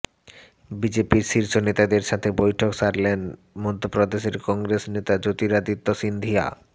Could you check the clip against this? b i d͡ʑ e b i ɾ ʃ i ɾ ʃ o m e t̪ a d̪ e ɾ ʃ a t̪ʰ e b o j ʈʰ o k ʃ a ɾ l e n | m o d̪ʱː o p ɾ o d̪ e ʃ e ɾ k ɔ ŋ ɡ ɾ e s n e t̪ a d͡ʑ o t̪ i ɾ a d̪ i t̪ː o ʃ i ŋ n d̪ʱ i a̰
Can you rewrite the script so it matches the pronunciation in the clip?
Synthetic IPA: b i d͡ʑ e p i ɾ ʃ i ɾ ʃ o n e t̪ a d̪ e ɾ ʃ a t̪ʰ e b o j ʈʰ o k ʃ a ɾ l e n | m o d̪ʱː o p ɾ o d̪ e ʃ e ɾ k ɔ ŋ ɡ ɾ e s n e t̪ a d͡ʑ o t̪ i ɾ a d̪ i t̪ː o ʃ i n d̪ʱ i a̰